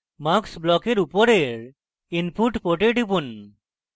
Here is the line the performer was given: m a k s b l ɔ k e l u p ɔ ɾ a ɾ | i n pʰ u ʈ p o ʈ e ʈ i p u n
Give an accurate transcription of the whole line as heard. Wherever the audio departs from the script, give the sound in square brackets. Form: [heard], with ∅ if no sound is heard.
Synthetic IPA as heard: m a k s b l ɔ k e [ɾ] u p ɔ ɾ [e] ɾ | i n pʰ u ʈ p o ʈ e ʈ i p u n